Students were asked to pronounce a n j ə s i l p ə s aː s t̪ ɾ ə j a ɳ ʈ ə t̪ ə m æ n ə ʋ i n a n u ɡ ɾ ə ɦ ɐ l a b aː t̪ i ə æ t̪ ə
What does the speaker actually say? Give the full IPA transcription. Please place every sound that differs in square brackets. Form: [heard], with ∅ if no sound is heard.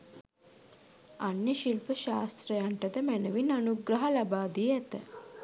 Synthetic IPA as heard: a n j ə [ʃ] i l p ə [ʃ] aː s t̪ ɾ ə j a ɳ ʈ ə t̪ ə m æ n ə ʋ i n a n u ɡ ɾ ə ɦ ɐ l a b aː [d̪] i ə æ t̪ ə